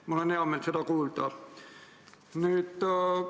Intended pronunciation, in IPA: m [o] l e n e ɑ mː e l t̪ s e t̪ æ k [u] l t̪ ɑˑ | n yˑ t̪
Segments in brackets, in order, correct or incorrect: correct, incorrect: uː

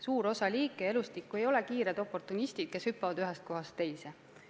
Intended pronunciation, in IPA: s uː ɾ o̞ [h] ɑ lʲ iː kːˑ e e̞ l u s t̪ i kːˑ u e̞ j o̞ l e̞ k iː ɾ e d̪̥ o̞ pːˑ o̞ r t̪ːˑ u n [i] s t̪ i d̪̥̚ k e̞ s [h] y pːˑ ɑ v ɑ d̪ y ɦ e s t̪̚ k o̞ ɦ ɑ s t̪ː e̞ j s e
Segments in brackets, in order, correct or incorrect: incorrect: s, correct, correct

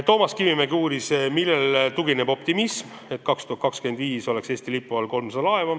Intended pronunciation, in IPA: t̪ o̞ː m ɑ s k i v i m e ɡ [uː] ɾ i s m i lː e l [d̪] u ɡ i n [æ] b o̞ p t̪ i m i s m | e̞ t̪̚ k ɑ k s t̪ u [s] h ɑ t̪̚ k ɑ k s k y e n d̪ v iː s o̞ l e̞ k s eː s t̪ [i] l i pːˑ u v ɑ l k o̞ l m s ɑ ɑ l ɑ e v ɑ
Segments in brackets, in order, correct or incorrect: correct, incorrect: t̪, incorrect: e, incorrect: none, correct

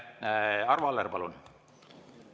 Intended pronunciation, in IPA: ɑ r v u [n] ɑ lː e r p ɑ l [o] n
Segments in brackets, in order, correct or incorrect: incorrect: none, incorrect: u

